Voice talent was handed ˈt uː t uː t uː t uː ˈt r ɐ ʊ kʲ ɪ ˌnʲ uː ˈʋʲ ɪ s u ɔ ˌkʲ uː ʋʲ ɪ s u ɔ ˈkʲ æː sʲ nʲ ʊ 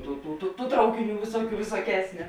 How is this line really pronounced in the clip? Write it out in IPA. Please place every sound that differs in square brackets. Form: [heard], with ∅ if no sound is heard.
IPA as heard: ˈt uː t uː t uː t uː ˈt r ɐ ʊ kʲ ɪ ˌnʲ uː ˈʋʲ ɪ s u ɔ ˌkʲ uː ʋʲ ɪ s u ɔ ˈkʲ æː sʲ nʲ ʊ